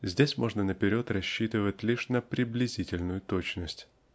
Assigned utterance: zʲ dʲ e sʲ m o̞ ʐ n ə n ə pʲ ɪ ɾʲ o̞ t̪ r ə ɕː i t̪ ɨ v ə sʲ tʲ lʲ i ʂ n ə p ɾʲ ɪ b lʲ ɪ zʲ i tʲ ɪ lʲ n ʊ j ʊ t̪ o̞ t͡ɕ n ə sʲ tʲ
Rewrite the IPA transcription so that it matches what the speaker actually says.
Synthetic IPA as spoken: zʲ dʲ e sʲ m o̞ ʐ n ə n ə pʲ ɪ ɾʲ o̞ t̪ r ɐ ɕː i t̪ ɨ v ə tʲ lʲ i ʂ n ə p ɾʲ ɪ b lʲ ɪ zʲ i tʲ ɪ lʲ n ʊ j ʊ t̪ o̞ t͡ɕ n ə sʲ tʲ

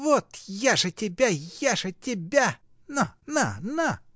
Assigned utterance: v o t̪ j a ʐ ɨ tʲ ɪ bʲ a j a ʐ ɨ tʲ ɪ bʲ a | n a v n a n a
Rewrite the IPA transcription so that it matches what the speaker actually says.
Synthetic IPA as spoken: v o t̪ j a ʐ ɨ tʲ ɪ bʲ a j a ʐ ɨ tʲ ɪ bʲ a | n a n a n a

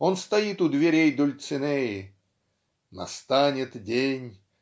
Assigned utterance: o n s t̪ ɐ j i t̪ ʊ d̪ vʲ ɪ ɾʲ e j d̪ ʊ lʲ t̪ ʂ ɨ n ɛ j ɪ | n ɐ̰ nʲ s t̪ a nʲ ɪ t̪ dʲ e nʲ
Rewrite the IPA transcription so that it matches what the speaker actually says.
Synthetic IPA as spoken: o n s t̪ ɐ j i t̪ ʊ d̪ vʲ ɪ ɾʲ e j d̪ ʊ lʲ t̪ s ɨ n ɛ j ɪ | n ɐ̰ s t̪ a nʲ ɪ t̪ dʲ e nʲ

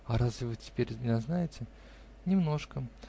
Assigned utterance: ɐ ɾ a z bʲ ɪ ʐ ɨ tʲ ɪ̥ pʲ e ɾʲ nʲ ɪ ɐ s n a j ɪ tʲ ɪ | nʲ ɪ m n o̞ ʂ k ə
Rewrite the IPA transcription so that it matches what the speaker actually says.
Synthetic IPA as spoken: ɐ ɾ a z vʲ ɪ v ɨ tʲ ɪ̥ pʲ e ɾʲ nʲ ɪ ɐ z n a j ɪ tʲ ɪ | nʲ ɪ m n o̞ ʂ k ə

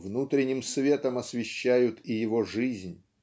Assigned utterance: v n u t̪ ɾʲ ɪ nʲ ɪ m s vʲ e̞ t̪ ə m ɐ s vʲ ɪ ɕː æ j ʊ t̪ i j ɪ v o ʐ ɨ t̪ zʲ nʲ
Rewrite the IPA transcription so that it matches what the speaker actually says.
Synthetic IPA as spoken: v n u t̪ ɾʲ ɪ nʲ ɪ m s vʲ e̞ t̪ ə m ɐ s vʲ ɪ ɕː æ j ʊ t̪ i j ɪ v o ʐ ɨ zʲ nʲ

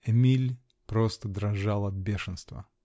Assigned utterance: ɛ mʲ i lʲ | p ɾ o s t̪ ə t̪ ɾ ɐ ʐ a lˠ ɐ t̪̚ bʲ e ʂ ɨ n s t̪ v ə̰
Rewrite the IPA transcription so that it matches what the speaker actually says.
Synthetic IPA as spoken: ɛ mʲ i lʲ | p ɾ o s t̪ ə d̪ ɾ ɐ ʐ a lˠ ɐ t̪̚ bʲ e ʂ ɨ n s t̪ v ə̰

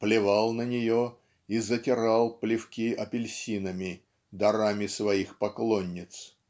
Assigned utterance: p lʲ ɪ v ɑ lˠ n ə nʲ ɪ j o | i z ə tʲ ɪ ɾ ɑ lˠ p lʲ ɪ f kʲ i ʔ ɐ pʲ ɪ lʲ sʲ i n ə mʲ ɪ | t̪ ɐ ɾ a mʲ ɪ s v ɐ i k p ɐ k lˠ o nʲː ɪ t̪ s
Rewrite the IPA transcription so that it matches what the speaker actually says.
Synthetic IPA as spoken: p lʲ ɪ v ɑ lˠ n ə nʲ ɪ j o | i z ə tʲ ɪ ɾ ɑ lˠ p lʲ ɪ f kʲ i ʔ ɐ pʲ ɪ lʲ sʲ i n ə mʲ ɪ | d̪ ɐ ɾ a mʲ ɪ s v ɐ i x p ɐ k lˠ o nʲː ɪ t̪ s

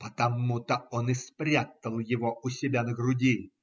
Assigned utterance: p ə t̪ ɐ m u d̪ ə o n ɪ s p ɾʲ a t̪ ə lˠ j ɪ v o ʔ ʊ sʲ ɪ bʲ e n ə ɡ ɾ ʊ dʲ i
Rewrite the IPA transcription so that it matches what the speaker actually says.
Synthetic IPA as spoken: p ə t̪ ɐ m u t̪ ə o n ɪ s p ɾʲ a t̪ ə lˠ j ɪ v o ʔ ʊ sʲ ɪ bʲ a n ə ɡ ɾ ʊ dʲ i

